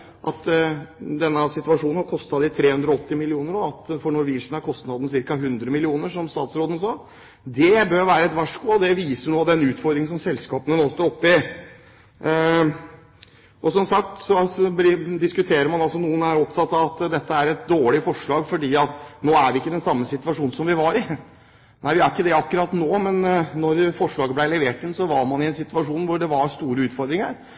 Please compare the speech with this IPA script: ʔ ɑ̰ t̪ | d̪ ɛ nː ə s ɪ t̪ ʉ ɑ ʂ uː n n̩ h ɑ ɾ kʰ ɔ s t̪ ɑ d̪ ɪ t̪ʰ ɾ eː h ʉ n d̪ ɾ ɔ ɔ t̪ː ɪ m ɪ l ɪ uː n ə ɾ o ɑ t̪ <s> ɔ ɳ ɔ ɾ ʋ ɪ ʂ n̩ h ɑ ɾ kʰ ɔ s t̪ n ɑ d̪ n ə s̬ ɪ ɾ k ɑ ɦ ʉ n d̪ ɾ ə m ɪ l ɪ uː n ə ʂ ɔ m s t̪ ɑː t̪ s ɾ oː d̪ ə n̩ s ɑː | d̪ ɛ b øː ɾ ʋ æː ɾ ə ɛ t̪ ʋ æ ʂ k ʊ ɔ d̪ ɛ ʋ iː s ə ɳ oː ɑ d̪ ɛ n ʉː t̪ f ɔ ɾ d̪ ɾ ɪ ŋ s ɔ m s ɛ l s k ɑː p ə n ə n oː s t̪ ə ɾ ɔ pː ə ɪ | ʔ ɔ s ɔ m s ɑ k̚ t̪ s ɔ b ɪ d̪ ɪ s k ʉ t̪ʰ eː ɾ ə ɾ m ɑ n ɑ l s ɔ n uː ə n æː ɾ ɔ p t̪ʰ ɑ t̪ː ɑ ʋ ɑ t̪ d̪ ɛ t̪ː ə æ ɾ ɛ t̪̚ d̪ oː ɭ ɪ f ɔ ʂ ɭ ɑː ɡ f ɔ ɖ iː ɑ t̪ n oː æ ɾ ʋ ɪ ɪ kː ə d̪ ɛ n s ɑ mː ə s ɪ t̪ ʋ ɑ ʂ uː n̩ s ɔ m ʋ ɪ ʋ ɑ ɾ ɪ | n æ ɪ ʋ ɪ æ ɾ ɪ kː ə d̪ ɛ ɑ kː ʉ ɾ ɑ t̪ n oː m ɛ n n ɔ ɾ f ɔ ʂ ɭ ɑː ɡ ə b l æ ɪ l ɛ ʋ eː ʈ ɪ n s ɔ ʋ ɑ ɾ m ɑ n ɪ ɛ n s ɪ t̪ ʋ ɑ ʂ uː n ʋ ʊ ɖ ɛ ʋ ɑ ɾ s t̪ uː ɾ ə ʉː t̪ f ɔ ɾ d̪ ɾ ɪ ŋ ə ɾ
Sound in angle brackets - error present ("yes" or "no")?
yes